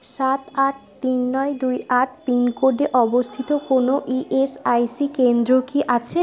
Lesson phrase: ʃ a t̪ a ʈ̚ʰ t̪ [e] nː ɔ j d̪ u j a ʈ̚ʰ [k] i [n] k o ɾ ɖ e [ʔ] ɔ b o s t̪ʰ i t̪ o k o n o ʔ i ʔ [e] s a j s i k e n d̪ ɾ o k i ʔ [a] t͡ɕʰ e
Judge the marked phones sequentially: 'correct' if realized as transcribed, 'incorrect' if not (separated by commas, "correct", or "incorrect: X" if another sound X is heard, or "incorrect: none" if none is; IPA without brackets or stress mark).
incorrect: i, incorrect: p, correct, correct, correct, correct